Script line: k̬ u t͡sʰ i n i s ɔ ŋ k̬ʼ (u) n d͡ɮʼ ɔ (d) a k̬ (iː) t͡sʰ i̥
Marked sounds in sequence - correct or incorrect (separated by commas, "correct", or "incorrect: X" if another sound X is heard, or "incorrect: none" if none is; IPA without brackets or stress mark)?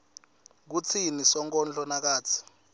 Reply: incorrect: ɔ, incorrect: n, incorrect: aː